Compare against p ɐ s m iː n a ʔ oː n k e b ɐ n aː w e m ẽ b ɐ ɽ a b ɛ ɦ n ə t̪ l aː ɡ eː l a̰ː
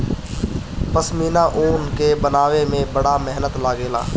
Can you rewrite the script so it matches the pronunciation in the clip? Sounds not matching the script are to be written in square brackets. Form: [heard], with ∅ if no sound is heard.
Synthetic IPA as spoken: p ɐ s m iː n a ʔ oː n k e b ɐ n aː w e m ẽ b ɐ ɽ a [m] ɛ ɦ n ə t̪ l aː ɡ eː l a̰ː